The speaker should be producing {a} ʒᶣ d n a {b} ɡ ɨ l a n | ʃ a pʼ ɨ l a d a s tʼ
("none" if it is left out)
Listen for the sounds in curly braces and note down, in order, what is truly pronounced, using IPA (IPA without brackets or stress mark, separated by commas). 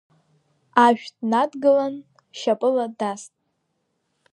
a, d